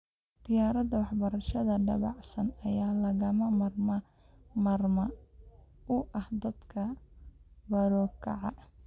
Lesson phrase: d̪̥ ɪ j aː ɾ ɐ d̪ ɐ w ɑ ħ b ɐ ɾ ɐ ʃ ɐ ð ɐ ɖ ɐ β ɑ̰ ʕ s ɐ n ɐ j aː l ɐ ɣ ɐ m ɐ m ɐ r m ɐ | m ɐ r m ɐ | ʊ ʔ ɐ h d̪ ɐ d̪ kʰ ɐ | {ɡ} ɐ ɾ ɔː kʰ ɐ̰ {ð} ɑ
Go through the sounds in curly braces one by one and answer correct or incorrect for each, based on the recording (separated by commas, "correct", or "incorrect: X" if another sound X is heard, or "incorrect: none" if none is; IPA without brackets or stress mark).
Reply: incorrect: b, incorrect: ʕ